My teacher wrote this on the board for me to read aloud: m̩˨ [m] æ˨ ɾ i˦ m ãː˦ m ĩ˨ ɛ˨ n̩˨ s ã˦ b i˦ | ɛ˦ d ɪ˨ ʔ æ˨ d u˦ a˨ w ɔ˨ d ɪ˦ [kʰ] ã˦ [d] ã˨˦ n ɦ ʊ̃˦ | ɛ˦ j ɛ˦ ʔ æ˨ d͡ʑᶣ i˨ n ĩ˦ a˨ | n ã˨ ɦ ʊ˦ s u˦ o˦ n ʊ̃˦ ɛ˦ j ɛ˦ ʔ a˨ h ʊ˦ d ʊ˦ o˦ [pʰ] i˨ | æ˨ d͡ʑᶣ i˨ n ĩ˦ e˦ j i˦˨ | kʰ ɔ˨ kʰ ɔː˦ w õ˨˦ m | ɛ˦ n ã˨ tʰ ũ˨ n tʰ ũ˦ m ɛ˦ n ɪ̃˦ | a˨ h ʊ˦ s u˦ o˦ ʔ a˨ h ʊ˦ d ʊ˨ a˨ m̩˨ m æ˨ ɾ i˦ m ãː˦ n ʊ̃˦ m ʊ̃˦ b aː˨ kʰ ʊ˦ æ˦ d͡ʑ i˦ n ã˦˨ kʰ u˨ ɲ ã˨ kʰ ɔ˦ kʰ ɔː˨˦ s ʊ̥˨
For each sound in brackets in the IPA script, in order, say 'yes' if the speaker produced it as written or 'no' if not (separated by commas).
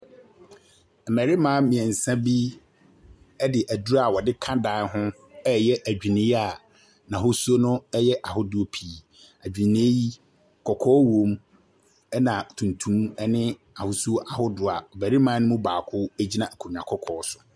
yes, yes, yes, yes